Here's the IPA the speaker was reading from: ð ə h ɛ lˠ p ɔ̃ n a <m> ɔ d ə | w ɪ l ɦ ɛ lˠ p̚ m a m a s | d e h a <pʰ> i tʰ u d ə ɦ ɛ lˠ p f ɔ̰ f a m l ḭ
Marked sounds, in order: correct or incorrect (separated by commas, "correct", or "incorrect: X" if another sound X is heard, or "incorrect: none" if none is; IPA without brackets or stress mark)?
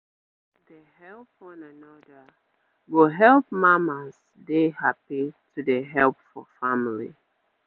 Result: incorrect: n, incorrect: p